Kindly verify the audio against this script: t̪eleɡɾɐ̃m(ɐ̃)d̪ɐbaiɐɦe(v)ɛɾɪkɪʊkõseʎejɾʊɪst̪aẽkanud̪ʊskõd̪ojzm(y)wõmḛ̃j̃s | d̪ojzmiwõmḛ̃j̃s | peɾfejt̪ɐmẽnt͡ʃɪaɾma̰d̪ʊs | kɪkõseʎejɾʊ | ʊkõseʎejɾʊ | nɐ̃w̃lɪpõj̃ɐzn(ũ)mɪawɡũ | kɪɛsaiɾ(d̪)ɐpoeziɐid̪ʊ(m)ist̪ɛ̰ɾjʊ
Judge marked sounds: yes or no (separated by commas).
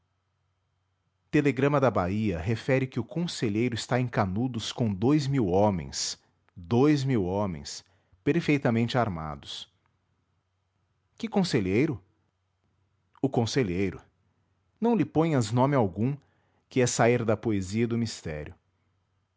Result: no, no, no, no, yes, yes